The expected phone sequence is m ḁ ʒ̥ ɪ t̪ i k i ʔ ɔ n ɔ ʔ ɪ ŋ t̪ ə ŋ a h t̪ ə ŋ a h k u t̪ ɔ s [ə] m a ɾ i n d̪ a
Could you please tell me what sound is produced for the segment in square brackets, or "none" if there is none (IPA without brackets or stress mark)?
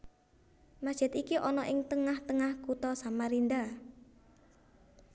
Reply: a